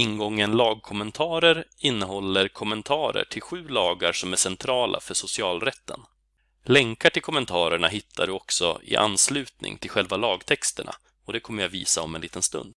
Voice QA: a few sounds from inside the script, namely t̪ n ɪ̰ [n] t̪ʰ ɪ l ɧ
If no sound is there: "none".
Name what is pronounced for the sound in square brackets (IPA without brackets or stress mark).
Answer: ŋ